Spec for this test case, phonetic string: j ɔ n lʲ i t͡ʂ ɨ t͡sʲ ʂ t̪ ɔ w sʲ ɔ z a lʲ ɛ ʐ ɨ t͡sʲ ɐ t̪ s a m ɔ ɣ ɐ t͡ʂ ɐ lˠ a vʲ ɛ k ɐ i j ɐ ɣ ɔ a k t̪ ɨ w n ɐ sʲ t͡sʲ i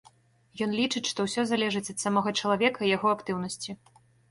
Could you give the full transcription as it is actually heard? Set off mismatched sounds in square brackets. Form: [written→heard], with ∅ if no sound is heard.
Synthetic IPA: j ɔ n lʲ i t͡ʂ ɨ t͡sʲ ʂ t̪ ɔ w sʲ ɔ z a lʲ ɛ ʐ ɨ t͡sʲ ɐ t̪ s a m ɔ ɣ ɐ t͡ʂ ɐ lˠ a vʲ ɛ k ɐ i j [ɐ→a] ɣ ɔ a k t̪ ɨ w n ɐ sʲ t͡sʲ i